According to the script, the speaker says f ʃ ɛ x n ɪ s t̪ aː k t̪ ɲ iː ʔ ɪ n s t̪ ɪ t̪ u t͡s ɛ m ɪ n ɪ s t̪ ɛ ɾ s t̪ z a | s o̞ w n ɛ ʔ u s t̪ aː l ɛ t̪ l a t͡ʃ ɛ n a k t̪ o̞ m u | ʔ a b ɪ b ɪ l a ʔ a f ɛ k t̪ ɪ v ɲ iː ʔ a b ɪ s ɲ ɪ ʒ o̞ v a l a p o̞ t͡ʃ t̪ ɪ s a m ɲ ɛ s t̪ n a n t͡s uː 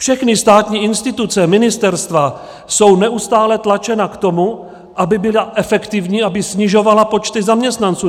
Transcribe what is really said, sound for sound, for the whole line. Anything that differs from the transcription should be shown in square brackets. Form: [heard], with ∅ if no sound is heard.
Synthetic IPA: f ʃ ɛ x n ɪ s t̪ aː [∅] t̪ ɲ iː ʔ ɪ n s t̪ ɪ t̪ u t͡s ɛ m ɪ n ɪ s t̪ ɛ ɾ s t̪ [v] a | s o̞ w n ɛ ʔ u s t̪ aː l ɛ t̪ l a t͡ʃ ɛ n a k t̪ o̞ m u | ʔ a b ɪ b ɪ l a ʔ [ɛ] f ɛ k t̪ ɪ v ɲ iː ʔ a b ɪ s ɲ ɪ ʒ o̞ v a l a p o̞ t͡ʃ t̪ ɪ [z] a m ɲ ɛ s t̪ n a n t͡s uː